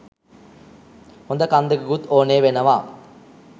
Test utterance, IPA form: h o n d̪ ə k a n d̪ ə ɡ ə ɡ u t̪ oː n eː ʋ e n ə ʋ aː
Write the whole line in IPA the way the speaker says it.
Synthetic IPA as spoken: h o n d̪ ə k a n d̪ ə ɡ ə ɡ u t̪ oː n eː ʋ e n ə ʋ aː